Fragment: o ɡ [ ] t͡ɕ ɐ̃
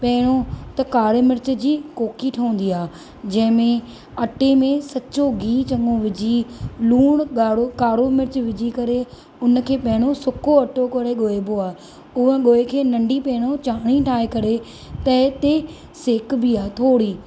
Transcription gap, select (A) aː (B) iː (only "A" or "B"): B